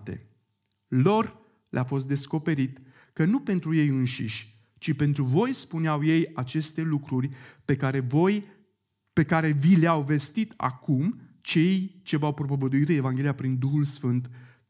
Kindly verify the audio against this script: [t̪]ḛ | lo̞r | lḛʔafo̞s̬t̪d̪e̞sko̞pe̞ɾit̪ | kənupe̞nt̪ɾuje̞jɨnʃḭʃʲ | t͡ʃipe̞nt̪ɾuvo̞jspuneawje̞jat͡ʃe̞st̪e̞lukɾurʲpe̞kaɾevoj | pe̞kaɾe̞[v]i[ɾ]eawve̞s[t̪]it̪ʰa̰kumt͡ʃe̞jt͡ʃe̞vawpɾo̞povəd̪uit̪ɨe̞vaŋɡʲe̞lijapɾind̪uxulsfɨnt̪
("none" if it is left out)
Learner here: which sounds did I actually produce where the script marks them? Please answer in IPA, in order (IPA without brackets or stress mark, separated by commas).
t̪, v, l, t̪